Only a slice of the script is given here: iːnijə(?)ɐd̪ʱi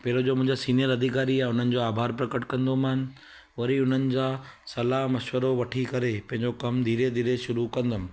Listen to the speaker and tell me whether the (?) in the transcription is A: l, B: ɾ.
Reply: B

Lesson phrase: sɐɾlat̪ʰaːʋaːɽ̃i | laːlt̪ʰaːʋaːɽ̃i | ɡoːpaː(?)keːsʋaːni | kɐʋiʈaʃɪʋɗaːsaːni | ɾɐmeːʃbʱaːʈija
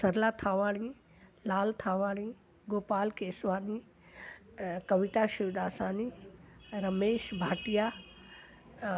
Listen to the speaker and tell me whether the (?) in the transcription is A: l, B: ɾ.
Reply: A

